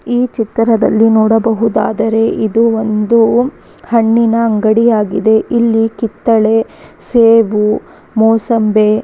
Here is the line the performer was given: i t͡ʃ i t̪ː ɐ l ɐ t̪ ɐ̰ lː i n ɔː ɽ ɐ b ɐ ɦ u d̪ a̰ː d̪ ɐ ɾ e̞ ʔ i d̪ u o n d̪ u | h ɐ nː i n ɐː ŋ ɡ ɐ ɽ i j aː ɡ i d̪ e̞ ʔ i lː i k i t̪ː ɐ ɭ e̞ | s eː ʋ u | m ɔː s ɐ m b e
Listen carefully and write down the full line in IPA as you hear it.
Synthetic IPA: iː t͡ʃ i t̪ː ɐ ɾ ɐ d̪ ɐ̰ lː i n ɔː ɽ ɐ b ɐ ɦ u d̪ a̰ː d̪ ɐ ɾ e̞ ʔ i d̪ u o n d̪ u | h ɐ ɳː i n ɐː ŋ ɡ ɐ ɽ i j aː ɡ i d̪ e̞ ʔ i lː i k i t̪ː ɐ ɭ e̞ | s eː ʋ u | m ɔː s ɐ m b e